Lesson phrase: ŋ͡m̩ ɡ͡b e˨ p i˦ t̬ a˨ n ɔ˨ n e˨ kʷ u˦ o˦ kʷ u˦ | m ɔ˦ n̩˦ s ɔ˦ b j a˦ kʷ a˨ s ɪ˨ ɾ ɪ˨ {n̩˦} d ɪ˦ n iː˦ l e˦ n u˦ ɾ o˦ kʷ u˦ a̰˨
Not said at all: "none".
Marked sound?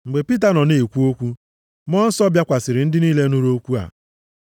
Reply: n̩˦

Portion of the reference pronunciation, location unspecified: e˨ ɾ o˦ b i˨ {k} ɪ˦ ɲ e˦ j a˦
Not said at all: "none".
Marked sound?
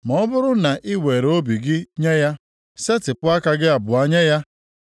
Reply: ɡ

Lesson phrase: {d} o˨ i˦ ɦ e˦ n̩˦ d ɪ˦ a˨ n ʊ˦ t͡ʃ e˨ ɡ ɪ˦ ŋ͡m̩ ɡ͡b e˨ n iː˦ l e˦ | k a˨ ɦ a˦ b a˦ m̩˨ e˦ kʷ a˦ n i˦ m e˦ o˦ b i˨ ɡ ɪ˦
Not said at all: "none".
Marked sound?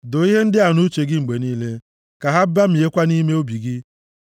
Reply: d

